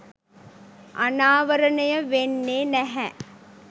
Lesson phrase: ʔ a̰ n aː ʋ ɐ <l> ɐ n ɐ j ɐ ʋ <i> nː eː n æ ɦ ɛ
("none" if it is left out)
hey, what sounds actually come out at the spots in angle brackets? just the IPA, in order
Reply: ɾ, e

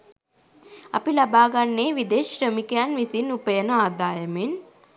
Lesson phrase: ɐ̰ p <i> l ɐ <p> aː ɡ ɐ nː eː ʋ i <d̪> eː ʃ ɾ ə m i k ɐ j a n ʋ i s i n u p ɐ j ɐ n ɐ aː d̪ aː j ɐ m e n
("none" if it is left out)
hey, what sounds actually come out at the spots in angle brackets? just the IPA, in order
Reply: i, b, d̪

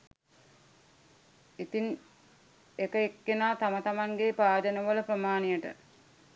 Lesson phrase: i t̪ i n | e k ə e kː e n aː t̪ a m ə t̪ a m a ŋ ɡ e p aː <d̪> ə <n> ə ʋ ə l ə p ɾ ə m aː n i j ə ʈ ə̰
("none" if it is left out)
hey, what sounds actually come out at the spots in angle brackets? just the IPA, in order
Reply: d̪, n

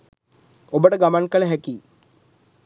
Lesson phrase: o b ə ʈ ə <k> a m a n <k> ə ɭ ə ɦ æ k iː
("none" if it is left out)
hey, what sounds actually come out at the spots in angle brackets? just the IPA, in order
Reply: ɡ, k

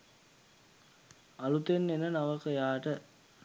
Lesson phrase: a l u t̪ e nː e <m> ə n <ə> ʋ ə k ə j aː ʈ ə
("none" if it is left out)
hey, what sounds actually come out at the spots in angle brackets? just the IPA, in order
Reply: n, a

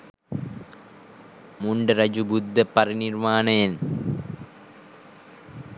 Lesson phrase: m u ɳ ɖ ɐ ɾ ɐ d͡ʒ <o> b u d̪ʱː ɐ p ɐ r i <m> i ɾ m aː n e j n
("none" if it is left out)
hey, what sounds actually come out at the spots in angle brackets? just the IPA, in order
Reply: u, n

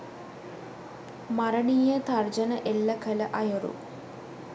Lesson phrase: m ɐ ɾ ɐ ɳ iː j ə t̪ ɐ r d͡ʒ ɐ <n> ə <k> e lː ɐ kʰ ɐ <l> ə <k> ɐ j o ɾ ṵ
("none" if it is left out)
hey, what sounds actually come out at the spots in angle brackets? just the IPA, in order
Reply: n, ʔ, l, ʔ

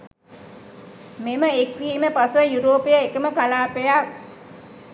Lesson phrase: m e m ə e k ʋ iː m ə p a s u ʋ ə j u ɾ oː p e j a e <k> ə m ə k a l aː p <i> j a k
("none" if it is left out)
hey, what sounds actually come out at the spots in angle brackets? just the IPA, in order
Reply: k, e

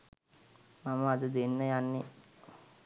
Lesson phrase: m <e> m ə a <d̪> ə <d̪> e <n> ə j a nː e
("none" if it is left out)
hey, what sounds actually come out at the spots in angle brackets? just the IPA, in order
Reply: a, d̪, d̪, nː

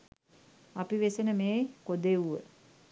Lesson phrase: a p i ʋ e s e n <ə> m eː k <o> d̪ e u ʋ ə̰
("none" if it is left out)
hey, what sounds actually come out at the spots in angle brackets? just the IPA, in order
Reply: ə, o

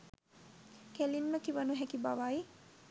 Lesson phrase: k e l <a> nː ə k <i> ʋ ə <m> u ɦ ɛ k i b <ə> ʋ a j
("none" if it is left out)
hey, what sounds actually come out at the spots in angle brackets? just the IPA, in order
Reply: i, i, n, a

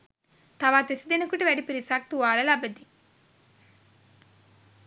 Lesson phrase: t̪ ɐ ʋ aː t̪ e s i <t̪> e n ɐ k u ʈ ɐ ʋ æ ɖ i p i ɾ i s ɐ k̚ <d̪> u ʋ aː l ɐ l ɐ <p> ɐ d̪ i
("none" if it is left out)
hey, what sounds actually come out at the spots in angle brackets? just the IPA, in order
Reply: d̪, t̪, b

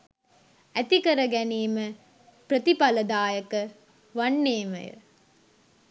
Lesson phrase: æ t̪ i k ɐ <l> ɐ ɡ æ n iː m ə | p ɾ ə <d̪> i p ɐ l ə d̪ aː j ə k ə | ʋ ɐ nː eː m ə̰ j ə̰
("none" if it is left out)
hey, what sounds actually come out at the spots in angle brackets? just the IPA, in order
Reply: ɾ, t̪

